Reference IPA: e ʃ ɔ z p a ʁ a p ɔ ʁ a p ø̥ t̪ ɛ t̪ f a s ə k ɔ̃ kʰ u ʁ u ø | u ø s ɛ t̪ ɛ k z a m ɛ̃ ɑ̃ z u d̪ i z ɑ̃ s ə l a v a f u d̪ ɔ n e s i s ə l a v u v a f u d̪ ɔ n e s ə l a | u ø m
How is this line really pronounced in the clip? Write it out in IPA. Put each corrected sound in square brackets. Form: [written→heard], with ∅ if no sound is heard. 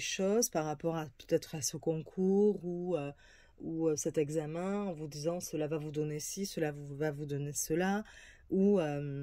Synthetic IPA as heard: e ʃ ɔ z p a ʁ a p ɔ ʁ a p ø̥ t̪ ɛ t̪ [f→χ] a s ə k ɔ̃ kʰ u ʁ u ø | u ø s ɛ t̪ ɛ [k→ɡ] z a m ɛ̃ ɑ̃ [z→v] u d̪ i z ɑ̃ s ə l a v a [f→v] u d̪ ɔ n e s i s ə l a v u v a [f→v] u d̪ ɔ n e s ə l a | u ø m